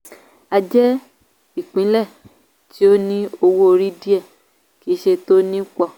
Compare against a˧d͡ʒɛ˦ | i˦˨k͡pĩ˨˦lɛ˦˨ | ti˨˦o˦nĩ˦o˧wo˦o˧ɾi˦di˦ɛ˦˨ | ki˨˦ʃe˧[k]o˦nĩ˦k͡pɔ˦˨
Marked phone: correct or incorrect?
incorrect